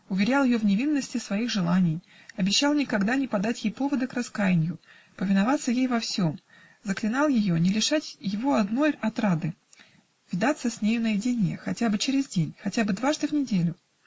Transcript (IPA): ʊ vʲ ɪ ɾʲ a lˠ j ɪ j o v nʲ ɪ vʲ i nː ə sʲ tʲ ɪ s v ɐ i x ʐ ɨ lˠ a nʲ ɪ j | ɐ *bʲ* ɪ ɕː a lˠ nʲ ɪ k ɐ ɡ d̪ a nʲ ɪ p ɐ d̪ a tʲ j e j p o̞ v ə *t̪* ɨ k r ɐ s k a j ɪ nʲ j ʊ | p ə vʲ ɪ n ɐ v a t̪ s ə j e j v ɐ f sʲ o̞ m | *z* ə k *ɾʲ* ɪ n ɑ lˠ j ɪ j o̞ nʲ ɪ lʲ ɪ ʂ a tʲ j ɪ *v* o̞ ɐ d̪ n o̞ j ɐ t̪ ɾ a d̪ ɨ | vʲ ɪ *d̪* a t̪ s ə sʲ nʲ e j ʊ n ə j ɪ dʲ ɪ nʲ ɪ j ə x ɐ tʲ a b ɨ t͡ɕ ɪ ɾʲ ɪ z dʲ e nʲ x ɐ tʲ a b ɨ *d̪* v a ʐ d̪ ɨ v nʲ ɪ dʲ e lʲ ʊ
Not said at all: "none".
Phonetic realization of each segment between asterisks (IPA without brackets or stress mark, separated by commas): bʲ, d̪, z, lʲ, v, d̪, d̪